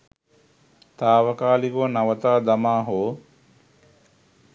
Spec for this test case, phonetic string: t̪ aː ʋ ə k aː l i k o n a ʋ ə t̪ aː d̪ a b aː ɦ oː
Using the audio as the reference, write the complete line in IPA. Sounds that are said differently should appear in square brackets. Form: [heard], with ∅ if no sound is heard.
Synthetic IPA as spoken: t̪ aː ʋ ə k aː l i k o n a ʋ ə t̪ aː d̪ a [m] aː ɦ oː